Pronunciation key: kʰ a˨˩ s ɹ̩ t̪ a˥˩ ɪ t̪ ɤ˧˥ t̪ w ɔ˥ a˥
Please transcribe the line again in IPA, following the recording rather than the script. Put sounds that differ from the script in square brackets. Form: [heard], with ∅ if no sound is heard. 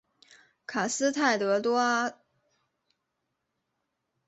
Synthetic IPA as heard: kʰ a˨˩ s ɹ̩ [t̪ʰ] a˥˩ ɪ t̪ ɤ˧˥ t̪ w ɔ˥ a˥